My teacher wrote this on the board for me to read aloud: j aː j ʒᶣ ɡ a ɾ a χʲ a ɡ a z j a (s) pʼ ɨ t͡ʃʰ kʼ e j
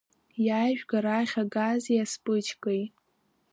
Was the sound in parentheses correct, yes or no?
yes